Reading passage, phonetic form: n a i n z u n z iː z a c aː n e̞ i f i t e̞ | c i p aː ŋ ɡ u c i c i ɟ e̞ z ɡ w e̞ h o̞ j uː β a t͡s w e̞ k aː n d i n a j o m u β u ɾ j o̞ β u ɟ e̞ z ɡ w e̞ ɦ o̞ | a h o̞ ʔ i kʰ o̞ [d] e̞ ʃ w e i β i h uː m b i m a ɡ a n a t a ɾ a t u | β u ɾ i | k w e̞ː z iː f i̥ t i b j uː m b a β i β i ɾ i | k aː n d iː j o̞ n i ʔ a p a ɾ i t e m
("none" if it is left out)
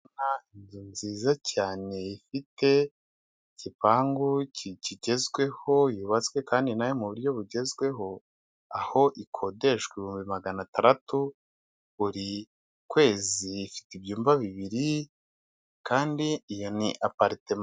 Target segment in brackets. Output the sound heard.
d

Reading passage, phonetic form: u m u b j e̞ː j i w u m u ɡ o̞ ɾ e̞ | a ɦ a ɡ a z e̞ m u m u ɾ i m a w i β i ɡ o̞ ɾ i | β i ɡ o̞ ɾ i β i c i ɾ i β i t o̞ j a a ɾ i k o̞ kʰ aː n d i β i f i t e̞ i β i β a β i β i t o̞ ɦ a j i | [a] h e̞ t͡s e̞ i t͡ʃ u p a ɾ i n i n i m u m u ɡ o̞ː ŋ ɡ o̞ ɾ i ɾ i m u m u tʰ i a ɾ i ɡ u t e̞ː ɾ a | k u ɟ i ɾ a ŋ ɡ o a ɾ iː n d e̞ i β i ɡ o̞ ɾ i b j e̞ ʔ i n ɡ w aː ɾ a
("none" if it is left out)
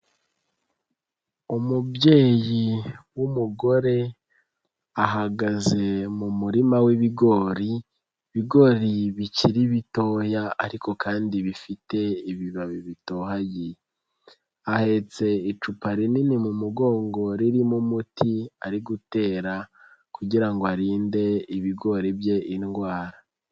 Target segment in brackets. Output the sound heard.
a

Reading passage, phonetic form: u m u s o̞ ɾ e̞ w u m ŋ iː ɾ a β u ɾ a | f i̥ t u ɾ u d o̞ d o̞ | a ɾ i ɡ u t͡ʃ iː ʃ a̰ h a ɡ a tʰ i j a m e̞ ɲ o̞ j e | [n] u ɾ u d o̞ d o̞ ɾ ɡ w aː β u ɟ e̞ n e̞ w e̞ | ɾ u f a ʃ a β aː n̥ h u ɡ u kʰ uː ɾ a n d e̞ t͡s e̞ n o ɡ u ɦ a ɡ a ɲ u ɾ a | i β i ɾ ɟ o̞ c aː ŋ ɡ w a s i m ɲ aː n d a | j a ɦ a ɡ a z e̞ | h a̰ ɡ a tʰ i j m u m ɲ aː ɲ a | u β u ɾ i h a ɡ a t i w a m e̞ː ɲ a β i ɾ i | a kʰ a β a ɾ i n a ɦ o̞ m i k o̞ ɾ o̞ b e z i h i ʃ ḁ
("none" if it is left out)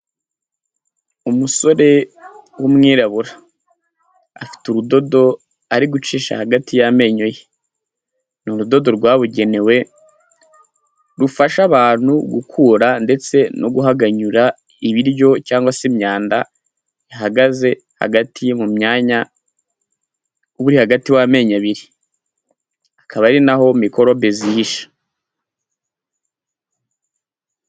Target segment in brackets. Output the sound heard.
n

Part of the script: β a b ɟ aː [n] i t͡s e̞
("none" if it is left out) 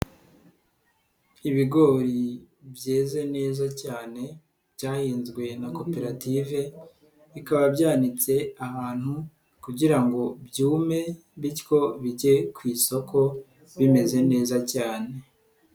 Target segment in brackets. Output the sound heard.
n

